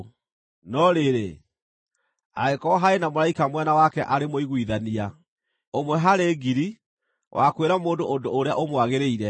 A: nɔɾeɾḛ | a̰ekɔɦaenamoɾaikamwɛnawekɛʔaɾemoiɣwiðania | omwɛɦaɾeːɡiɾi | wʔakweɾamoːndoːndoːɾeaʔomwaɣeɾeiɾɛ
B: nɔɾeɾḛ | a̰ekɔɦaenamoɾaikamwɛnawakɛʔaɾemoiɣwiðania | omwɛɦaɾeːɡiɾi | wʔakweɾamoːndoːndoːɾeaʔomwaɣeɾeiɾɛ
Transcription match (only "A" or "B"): B